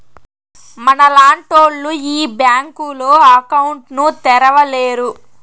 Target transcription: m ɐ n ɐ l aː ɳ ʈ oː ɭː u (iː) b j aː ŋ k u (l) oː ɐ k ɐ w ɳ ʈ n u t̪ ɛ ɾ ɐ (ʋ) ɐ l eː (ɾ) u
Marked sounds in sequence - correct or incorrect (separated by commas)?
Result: correct, correct, correct, correct